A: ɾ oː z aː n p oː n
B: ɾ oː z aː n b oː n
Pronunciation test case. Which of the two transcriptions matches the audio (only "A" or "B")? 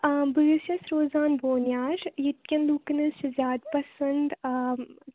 B